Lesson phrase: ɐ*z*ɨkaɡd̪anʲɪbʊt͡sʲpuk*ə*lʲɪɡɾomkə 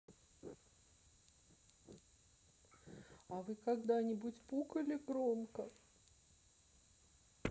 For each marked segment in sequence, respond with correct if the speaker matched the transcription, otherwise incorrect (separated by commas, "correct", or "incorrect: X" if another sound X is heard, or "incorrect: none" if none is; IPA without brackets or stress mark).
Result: incorrect: v, correct